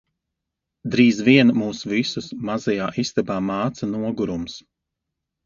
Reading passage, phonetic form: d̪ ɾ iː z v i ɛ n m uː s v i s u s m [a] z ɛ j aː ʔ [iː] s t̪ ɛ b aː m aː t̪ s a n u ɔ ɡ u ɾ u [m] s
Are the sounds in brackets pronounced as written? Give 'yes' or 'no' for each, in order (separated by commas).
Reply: yes, no, yes